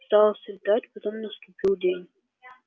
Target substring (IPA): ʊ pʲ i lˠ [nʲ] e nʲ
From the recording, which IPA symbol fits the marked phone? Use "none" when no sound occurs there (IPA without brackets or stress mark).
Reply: dʲ